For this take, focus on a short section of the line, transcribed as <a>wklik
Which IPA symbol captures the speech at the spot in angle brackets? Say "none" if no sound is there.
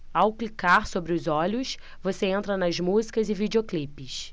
a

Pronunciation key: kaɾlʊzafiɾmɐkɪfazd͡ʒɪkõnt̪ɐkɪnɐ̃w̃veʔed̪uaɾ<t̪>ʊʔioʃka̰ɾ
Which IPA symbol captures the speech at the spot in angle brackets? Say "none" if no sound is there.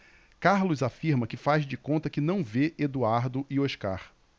d̪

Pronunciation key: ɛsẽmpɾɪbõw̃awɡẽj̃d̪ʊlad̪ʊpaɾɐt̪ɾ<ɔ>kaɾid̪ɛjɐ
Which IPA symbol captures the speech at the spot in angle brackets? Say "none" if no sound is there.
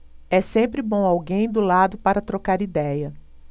o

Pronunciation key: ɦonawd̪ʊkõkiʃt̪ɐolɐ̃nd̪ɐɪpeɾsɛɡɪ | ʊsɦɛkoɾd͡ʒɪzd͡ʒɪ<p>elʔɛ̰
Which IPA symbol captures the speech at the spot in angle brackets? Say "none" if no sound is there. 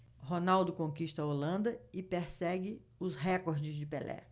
p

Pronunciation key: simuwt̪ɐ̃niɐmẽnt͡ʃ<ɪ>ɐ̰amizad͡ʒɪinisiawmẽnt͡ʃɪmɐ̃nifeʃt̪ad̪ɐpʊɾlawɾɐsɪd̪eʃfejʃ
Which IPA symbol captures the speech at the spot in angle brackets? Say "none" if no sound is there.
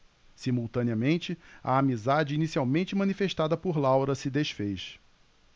ɪ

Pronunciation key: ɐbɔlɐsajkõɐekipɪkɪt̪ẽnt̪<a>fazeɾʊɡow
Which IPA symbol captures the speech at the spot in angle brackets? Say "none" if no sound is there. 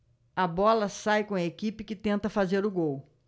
ɐ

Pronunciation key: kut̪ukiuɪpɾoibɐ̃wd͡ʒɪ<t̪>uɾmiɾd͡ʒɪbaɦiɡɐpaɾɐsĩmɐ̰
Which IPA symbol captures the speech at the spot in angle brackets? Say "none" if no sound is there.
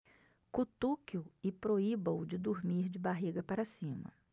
d̪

